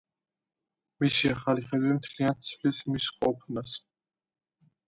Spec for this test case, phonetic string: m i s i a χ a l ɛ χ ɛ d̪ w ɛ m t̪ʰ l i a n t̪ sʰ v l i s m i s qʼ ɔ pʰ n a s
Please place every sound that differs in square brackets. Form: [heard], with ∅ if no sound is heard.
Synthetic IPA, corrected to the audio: m i s i a χ a l [i] χ ɛ d̪ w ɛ m t̪ʰ l i a n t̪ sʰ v l i s m i s qʼ ɔ pʰ n a s